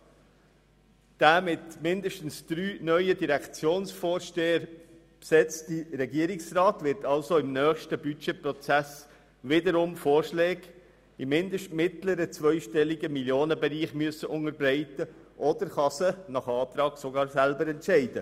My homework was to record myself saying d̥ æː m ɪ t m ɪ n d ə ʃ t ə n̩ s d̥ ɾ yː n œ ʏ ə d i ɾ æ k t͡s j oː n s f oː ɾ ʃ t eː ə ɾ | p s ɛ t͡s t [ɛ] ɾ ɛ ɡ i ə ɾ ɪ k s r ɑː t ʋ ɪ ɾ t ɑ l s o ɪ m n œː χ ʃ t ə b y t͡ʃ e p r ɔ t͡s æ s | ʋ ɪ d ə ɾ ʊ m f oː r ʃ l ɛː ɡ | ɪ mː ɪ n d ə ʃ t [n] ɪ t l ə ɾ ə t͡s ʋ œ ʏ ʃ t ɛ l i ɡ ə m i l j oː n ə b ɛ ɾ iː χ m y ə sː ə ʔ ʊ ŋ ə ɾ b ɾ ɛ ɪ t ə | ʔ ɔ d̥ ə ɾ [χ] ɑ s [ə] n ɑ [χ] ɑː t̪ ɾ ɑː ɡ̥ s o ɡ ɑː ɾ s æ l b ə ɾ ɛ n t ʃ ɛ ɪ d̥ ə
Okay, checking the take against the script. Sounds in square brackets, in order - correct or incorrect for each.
incorrect, incorrect, correct, correct, correct

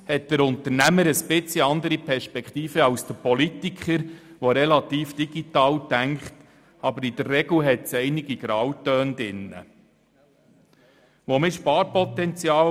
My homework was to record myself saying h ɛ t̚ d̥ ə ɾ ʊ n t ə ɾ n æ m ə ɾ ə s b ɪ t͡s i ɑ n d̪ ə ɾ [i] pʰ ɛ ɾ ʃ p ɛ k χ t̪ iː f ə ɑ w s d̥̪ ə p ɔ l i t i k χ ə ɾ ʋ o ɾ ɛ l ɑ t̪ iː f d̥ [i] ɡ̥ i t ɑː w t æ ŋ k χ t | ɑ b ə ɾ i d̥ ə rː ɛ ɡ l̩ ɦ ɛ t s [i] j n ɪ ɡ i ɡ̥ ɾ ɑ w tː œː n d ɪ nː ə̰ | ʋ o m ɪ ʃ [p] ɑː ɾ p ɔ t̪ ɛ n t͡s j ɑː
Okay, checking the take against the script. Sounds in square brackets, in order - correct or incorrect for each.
correct, correct, incorrect, correct

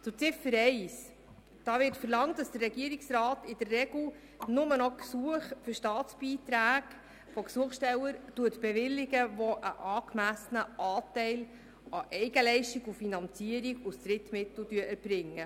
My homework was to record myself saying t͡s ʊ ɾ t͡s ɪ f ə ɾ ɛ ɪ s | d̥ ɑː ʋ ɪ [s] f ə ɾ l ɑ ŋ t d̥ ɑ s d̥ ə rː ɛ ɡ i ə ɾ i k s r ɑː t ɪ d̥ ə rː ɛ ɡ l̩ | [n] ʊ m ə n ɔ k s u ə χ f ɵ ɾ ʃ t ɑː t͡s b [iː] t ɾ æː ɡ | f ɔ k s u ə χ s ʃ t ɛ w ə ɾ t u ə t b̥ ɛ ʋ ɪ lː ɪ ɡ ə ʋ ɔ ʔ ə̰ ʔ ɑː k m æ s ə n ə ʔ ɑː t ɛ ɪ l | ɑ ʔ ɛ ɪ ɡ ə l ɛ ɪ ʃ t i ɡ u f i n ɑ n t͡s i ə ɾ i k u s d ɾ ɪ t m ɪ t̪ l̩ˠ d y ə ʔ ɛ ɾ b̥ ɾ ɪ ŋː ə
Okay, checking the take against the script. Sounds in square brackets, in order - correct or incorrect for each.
incorrect, correct, correct

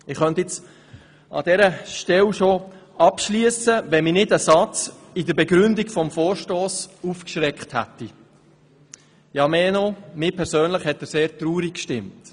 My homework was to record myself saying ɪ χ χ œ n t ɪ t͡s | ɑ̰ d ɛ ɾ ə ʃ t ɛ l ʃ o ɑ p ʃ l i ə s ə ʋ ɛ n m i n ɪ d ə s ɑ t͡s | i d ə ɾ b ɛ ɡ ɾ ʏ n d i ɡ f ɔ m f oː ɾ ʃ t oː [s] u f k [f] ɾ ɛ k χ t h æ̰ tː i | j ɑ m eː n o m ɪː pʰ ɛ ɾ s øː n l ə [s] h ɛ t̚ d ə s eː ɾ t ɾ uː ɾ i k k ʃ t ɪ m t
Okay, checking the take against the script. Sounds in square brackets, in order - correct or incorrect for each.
correct, incorrect, incorrect

